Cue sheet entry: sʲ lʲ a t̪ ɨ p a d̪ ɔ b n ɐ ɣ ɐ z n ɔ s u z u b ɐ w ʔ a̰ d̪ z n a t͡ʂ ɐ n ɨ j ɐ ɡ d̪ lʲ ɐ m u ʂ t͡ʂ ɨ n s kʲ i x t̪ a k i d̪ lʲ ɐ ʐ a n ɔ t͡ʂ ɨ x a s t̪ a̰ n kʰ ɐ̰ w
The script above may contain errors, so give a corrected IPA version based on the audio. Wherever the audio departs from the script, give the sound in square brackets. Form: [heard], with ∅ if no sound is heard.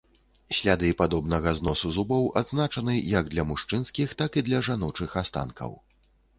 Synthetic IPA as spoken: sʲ lʲ a [d̪] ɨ p a d̪ ɔ b n ɐ ɣ ɐ z n ɔ s u z u b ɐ w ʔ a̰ d̪ z n a t͡ʂ ɐ n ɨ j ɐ ɡ d̪ lʲ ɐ m u ʂ t͡ʂ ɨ n s kʲ i x t̪ a k i d̪ lʲ ɐ ʐ a n ɔ t͡ʂ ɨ x a s t̪ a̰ n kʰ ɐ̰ w